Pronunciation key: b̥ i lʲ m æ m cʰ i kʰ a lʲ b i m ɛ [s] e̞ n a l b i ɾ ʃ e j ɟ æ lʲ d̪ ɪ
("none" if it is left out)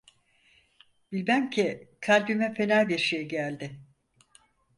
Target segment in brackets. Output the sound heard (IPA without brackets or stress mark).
f